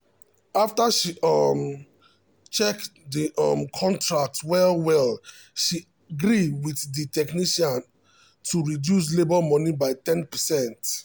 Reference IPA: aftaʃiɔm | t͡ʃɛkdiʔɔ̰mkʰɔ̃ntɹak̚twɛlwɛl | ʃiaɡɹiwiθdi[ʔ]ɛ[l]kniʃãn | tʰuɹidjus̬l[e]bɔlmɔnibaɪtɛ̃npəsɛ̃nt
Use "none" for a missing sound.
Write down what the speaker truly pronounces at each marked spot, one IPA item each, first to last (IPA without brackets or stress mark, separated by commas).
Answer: t, none, e